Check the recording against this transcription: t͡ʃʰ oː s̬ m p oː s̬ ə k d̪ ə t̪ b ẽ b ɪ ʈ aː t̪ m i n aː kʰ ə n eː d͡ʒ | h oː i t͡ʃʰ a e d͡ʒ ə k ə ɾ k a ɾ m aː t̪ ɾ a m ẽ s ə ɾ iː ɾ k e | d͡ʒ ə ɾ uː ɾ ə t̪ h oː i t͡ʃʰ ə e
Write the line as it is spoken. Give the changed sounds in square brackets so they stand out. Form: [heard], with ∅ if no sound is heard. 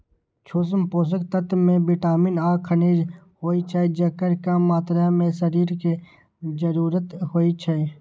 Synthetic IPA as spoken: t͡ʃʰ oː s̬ m p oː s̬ ə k [t̪] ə t̪ [m] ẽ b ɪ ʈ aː [∅] m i n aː kʰ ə n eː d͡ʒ | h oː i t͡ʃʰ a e d͡ʒ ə k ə ɾ k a [∅] m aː t̪ ɾ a m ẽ s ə ɾ iː ɾ k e | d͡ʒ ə ɾ uː ɾ ə t̪ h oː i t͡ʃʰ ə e